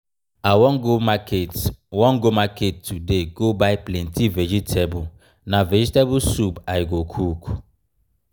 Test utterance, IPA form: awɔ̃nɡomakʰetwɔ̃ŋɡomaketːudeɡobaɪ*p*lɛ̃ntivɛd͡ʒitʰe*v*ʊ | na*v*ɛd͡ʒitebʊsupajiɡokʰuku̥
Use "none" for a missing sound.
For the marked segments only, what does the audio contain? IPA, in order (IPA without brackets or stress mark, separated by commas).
p, b, v